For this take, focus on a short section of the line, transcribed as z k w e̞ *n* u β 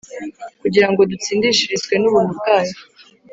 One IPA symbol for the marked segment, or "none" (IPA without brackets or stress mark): n